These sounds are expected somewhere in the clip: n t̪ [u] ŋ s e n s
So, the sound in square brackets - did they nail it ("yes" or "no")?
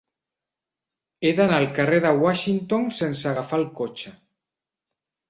no